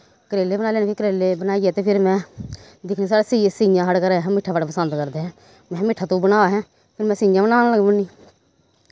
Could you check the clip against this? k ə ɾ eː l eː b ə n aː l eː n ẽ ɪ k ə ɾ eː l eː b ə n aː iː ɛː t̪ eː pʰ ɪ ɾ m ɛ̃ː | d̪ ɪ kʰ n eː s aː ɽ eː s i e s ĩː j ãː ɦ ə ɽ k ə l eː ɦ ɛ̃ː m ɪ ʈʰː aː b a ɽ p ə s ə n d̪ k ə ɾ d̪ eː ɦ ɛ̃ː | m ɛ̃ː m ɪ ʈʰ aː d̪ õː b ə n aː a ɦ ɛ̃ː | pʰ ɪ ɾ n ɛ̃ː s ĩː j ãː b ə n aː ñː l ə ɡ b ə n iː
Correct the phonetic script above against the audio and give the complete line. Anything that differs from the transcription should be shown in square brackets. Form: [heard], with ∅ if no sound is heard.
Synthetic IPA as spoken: k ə ɾ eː l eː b ə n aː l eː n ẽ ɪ k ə ɾ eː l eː b ə n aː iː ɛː t̪ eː pʰ ɪ ɾ m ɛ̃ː | d̪ ɪ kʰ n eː s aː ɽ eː s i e s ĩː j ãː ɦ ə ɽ k ə [ɾ] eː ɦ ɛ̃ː m ɪ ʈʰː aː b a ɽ p ə s ə n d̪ k ə ɾ d̪ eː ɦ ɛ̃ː | m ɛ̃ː m ɪ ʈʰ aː [t̪] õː b ə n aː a ɦ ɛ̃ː | pʰ ɪ ɾ [m] ɛ̃ː s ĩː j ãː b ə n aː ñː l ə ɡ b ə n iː